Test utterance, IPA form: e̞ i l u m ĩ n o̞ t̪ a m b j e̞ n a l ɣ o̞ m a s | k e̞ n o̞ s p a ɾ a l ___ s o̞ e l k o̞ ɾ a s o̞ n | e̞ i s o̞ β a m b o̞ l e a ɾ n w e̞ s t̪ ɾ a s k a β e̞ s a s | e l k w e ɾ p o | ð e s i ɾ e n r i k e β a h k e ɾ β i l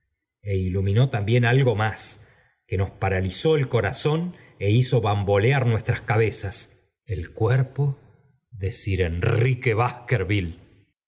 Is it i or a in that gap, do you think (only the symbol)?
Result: i